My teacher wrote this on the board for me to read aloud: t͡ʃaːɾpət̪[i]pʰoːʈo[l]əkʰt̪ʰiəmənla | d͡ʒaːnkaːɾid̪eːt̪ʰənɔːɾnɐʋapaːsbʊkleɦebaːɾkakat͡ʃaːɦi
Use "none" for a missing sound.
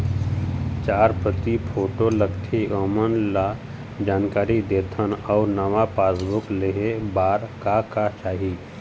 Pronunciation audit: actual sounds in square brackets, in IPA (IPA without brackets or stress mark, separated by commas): i, l